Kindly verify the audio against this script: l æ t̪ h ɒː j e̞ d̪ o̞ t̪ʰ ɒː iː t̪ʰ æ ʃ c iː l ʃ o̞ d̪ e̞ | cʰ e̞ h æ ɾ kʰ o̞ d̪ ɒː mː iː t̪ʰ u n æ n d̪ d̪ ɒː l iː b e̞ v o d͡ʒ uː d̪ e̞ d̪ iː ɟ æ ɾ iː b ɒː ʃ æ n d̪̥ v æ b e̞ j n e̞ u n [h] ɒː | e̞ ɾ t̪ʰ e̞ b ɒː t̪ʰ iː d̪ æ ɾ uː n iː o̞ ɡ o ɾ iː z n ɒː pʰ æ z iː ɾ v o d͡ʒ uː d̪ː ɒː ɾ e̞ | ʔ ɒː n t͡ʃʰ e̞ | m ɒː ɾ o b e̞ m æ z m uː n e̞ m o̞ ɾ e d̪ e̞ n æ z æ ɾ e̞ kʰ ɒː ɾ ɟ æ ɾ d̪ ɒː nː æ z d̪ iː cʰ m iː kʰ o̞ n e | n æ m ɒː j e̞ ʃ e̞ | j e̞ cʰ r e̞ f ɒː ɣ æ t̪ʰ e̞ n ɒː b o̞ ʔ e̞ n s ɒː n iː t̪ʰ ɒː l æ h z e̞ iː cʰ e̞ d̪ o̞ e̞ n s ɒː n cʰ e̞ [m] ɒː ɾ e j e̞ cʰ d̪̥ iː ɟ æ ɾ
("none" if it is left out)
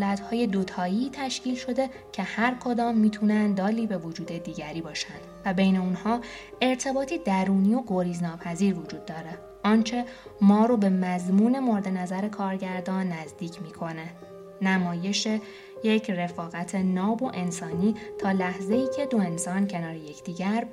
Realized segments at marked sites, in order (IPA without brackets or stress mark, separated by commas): h, n